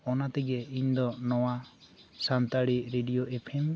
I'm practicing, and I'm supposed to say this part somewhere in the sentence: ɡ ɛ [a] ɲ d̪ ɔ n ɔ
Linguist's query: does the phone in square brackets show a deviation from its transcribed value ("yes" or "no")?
yes